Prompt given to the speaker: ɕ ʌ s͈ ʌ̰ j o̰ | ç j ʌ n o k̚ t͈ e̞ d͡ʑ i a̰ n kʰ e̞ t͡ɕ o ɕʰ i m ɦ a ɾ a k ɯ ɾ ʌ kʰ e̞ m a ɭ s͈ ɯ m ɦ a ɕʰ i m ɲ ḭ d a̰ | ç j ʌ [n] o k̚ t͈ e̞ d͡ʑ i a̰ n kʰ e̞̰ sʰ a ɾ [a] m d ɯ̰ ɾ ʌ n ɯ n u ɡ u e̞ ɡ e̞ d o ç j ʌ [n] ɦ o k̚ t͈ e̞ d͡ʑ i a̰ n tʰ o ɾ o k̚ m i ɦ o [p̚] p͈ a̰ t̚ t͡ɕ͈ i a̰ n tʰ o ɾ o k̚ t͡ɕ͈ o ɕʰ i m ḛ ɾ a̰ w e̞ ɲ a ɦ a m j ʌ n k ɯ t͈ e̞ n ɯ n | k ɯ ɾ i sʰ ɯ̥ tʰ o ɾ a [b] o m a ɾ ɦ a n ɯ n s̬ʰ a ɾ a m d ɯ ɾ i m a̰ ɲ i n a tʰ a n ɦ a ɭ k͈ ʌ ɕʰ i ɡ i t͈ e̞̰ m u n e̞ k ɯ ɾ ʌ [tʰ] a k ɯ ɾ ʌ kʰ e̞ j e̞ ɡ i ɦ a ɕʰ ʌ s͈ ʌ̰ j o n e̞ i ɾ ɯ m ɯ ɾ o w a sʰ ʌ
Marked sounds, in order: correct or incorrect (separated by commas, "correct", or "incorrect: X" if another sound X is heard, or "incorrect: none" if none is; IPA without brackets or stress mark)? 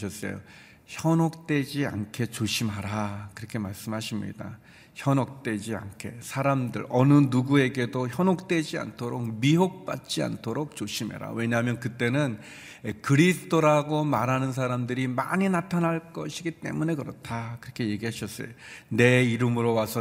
correct, correct, correct, incorrect: k̚, incorrect: ɡ, correct